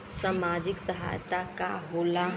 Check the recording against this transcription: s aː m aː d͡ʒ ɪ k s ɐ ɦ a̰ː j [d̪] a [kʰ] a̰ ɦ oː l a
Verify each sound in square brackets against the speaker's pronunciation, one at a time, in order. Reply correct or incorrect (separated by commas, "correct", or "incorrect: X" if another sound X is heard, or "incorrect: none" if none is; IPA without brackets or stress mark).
incorrect: t̪, incorrect: k